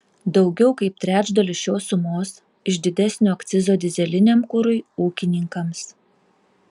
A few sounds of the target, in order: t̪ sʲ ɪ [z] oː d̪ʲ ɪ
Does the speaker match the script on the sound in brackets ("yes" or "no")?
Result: yes